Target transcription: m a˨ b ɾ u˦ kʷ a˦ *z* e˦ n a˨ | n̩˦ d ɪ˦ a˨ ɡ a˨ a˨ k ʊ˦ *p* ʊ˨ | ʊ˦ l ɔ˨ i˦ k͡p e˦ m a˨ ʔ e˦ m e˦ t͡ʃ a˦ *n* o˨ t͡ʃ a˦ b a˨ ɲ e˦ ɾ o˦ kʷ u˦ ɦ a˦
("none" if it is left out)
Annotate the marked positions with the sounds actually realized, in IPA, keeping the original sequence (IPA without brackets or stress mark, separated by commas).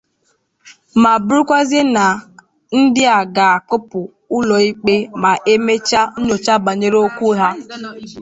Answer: z, p, ɲ